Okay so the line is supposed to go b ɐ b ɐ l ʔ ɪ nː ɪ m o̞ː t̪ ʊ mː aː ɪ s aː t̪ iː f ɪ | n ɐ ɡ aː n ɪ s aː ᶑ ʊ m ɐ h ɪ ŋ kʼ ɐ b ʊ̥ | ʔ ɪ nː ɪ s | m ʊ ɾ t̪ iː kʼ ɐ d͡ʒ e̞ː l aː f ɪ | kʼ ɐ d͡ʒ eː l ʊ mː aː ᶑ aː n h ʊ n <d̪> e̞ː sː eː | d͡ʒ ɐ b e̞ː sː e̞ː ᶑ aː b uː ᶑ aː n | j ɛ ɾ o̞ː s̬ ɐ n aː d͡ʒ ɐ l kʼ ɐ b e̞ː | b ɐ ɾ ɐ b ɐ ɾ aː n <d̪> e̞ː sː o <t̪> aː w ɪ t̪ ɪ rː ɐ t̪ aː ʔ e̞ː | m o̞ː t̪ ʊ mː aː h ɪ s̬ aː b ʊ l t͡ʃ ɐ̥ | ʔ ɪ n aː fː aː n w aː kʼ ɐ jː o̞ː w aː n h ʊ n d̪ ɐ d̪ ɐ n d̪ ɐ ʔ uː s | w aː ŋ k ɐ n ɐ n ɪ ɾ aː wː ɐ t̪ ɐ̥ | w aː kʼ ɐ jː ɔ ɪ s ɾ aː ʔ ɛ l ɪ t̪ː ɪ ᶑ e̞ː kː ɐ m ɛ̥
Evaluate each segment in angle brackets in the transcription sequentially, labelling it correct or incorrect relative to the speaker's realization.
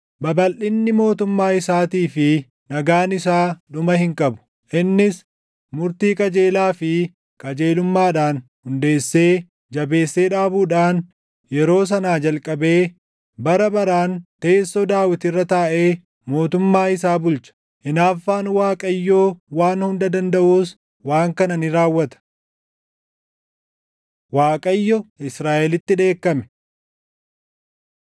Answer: correct, incorrect: t̪, incorrect: d̪

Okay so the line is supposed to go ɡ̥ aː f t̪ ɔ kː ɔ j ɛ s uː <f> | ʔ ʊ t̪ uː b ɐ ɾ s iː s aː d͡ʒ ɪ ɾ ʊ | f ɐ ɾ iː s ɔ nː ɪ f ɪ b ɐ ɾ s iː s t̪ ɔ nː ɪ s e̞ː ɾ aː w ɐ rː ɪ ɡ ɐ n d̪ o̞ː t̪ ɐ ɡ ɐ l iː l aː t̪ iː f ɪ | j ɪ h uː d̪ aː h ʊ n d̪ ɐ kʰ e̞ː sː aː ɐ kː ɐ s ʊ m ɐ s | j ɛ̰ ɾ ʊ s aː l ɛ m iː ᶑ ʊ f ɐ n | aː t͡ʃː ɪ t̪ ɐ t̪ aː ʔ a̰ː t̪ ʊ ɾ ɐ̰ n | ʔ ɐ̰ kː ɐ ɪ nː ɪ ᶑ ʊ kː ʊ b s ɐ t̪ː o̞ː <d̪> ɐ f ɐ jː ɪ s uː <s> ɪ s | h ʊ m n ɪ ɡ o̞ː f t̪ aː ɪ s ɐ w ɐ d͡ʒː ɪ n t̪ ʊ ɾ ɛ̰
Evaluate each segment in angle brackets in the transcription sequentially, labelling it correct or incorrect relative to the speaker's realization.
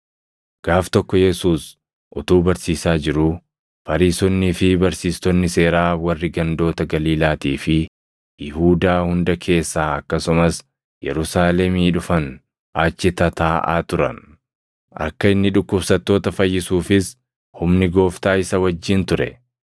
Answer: incorrect: s, incorrect: t̪, incorrect: f

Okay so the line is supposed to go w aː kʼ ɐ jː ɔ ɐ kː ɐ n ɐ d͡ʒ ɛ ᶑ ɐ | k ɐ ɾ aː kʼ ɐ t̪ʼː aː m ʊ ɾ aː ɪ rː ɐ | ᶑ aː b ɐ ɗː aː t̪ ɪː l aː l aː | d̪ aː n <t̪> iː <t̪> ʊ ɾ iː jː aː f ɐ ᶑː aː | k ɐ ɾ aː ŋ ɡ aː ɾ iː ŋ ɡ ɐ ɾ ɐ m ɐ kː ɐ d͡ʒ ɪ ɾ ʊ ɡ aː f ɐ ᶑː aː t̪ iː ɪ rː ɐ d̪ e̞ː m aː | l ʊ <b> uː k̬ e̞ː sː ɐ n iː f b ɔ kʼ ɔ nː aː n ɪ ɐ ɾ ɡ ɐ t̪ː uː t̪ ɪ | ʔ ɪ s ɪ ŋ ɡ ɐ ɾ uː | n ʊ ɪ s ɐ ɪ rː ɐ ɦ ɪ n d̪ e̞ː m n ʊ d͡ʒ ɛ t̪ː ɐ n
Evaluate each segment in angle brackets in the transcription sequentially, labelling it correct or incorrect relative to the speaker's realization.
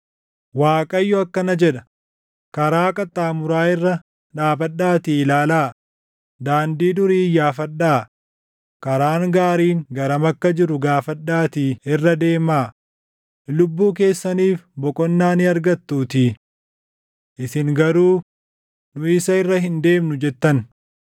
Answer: incorrect: d̪, incorrect: d̪, incorrect: bː

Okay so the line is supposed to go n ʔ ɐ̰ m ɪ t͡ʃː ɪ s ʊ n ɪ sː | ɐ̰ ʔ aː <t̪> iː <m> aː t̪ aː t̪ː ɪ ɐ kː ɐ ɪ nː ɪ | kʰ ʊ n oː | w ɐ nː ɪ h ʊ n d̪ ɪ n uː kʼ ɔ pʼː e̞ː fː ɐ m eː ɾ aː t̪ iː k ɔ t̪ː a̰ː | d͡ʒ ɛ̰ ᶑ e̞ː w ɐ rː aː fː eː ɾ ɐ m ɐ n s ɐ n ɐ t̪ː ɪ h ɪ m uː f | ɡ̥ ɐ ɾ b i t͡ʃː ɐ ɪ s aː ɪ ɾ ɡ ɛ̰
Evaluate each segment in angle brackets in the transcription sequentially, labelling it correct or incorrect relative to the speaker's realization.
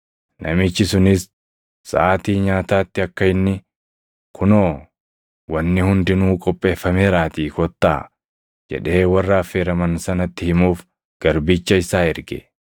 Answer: correct, incorrect: ɲ

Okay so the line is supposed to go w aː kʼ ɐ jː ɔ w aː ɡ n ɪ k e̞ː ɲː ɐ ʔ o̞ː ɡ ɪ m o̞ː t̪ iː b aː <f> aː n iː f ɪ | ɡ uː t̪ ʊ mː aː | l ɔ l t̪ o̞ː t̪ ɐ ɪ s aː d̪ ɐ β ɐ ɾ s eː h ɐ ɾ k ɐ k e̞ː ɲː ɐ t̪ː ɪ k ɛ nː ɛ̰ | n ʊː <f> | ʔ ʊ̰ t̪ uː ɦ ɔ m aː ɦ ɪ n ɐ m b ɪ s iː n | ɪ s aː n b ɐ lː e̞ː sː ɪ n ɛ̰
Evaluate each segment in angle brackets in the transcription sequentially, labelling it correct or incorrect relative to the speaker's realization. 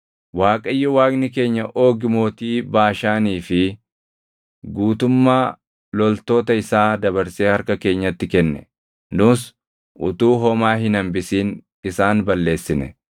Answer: incorrect: ʃ, incorrect: s

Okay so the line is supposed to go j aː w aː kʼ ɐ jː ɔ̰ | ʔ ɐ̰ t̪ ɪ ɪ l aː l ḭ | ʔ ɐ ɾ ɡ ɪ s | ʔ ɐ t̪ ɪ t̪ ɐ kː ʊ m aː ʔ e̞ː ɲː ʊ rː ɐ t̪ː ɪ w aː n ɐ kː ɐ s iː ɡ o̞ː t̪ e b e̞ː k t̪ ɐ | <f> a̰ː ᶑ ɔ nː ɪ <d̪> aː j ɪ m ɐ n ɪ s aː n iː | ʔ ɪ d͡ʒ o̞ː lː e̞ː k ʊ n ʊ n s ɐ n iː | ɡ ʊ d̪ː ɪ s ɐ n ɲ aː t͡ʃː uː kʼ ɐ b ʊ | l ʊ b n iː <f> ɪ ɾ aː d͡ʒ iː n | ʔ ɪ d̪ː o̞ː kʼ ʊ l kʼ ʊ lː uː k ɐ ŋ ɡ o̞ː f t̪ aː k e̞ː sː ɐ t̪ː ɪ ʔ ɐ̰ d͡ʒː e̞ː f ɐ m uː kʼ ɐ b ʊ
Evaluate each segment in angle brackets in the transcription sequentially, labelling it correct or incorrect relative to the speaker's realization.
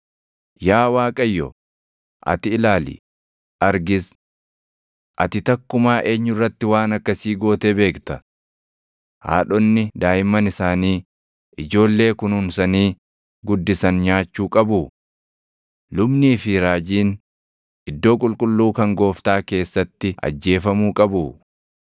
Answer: incorrect: h, correct, correct

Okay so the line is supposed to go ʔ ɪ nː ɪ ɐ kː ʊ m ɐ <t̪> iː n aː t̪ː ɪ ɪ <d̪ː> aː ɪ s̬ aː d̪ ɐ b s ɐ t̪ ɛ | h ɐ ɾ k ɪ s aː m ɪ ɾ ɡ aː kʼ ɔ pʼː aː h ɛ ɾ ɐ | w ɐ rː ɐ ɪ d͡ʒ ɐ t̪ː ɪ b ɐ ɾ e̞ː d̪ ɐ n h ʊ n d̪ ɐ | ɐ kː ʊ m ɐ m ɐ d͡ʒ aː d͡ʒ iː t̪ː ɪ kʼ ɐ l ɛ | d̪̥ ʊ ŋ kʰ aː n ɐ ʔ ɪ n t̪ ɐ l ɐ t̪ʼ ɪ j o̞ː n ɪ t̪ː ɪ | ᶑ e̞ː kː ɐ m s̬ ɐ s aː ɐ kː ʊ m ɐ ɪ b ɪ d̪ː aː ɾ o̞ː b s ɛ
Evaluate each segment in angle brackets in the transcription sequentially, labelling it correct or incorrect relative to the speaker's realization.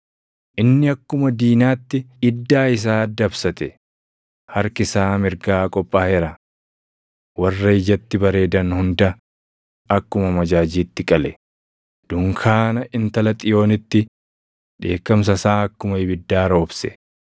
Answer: incorrect: d̪, correct

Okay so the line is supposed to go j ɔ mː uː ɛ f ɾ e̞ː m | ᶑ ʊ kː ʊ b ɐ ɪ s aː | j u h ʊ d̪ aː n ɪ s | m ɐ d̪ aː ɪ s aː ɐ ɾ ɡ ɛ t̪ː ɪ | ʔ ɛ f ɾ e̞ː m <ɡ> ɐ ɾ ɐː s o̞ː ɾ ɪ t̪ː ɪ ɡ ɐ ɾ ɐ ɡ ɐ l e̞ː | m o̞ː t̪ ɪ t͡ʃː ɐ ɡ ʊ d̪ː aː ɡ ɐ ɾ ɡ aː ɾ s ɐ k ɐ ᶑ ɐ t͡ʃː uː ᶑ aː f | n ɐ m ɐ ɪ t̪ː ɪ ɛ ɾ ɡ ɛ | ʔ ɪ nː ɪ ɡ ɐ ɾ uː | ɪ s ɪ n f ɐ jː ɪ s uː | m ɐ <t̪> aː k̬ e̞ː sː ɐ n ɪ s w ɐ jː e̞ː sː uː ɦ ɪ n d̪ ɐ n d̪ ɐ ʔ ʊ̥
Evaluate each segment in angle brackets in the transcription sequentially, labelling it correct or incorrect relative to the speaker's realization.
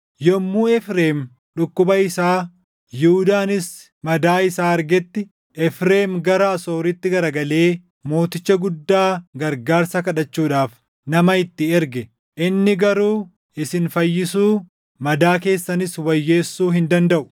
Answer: correct, incorrect: d̪

